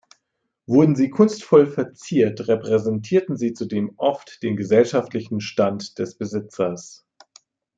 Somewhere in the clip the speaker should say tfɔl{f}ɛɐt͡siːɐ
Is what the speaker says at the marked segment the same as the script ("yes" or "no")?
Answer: yes